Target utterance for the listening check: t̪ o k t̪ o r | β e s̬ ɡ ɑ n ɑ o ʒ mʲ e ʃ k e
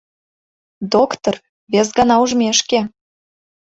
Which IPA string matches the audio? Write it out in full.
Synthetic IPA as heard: d̪ o k t̪ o r | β e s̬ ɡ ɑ n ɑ u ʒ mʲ e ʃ k e